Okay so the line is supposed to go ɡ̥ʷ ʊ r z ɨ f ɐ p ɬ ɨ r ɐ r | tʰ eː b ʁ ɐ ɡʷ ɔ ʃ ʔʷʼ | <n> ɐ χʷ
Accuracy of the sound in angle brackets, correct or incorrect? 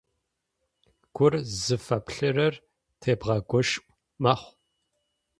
incorrect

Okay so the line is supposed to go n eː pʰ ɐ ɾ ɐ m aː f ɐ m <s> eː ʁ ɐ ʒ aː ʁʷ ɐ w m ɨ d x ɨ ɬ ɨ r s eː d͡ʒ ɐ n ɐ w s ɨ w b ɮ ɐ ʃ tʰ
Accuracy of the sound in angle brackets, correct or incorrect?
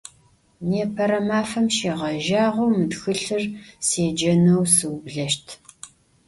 incorrect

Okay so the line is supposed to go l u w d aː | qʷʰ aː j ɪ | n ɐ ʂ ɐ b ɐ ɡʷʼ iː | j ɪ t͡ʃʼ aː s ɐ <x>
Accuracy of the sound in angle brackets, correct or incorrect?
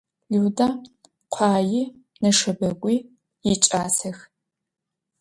correct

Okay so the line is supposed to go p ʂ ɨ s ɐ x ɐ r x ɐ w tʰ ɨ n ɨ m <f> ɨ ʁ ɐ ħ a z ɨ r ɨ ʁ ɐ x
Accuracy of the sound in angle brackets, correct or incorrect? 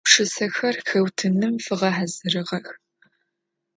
correct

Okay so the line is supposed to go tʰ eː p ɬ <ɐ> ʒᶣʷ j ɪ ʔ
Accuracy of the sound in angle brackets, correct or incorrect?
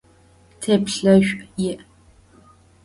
correct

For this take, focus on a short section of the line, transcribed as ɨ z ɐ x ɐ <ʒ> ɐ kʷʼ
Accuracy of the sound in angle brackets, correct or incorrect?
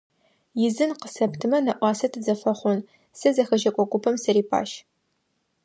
correct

